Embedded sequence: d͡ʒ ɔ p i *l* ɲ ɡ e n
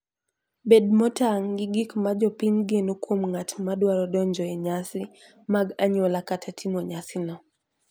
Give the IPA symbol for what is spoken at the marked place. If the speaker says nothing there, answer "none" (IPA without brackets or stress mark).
none